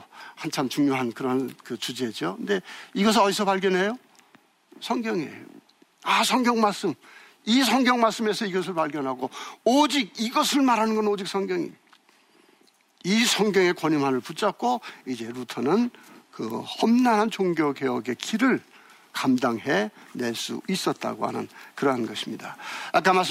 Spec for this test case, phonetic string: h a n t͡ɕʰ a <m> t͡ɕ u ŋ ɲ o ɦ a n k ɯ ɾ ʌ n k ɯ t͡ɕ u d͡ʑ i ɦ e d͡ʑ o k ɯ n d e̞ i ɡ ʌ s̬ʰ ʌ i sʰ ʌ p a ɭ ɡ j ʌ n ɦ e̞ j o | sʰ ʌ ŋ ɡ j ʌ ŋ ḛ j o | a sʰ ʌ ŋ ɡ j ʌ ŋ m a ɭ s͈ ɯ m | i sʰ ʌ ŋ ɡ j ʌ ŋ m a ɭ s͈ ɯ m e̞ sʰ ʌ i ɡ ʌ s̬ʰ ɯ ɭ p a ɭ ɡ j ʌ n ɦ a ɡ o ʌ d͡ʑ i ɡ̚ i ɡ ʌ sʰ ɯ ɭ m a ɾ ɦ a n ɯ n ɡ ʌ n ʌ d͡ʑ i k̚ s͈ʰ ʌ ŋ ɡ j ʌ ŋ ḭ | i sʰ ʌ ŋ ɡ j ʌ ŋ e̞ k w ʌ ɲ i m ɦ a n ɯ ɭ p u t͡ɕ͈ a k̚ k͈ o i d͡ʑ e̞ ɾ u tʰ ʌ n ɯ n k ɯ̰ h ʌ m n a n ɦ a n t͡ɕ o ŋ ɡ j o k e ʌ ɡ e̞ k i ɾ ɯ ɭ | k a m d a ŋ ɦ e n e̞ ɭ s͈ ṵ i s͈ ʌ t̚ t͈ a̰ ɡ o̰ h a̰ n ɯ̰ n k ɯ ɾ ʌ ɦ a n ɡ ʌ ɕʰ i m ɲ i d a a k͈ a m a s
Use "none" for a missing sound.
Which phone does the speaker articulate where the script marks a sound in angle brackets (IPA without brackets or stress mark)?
m